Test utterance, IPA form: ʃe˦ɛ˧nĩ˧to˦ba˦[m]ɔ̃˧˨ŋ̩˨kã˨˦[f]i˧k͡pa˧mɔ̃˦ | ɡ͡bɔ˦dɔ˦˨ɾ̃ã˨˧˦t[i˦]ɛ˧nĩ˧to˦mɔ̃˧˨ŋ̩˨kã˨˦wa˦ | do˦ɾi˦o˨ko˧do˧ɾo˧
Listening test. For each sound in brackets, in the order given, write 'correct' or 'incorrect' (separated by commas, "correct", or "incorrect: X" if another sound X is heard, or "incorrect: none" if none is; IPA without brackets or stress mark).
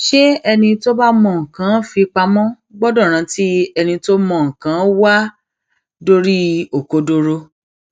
correct, correct, correct